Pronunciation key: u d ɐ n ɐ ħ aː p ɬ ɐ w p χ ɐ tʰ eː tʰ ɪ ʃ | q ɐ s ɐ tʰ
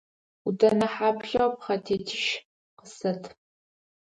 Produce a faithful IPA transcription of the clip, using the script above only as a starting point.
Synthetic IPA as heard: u d ɐ n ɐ ħ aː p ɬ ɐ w p χ ɐ tʰ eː tʰ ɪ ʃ | q ə s ɐ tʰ